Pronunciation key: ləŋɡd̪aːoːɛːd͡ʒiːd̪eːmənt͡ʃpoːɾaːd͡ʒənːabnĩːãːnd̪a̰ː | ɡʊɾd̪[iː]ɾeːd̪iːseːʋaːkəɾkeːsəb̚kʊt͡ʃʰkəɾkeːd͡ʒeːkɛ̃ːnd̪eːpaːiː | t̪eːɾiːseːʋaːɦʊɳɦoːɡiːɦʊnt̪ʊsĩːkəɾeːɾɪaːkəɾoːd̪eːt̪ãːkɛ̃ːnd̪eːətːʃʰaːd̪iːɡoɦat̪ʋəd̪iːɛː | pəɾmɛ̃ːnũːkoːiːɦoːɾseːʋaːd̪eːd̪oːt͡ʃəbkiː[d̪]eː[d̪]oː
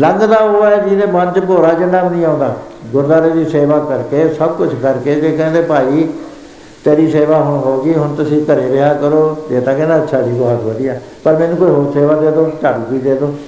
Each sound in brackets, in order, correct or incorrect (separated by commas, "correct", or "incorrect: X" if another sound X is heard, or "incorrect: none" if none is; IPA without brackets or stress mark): incorrect: aː, correct, correct